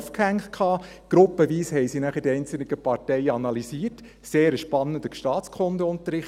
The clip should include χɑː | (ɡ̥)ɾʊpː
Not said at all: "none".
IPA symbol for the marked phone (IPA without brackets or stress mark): ɡ̥